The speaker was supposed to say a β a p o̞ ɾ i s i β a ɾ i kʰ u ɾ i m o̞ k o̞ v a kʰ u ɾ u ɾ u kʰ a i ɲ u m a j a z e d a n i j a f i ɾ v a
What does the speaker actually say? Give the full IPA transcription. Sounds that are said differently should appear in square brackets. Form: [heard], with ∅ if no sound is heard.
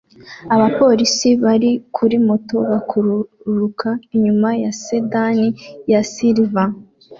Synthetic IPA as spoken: a β a p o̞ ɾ i s i β a ɾ i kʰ u ɾ i m o̞ [t] o̞ [β] a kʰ u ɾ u ɾ u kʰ a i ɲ u m a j a [s] e d a n i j a [s] i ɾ v a